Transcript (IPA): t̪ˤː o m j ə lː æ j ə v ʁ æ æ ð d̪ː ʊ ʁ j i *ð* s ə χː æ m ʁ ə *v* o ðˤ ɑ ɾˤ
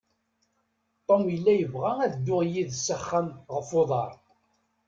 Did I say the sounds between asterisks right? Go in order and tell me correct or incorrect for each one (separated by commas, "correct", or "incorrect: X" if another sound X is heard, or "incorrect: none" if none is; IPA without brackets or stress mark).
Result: correct, incorrect: f